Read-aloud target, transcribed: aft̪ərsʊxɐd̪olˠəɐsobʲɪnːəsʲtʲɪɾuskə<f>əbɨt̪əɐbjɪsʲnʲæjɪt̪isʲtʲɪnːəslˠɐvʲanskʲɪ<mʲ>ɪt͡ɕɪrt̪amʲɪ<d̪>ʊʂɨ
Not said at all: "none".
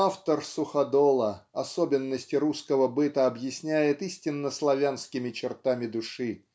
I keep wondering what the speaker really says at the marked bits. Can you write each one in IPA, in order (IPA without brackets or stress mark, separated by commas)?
v, mʲ, d̪